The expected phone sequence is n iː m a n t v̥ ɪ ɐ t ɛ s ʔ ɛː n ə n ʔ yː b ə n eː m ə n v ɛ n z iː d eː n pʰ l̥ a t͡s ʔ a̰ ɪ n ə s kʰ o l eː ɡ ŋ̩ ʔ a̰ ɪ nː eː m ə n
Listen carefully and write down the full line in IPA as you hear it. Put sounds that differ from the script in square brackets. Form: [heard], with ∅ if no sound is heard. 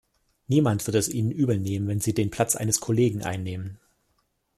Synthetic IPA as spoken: n iː m a n t v̥ ɪ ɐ t ɛ s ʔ [iː] n ə n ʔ yː b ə n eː m ə n v ɛ n z iː d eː n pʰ l̥ a t͡s ʔ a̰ ɪ n ə s kʰ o l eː ɡ ŋ̩ ʔ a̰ ɪ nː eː m ə n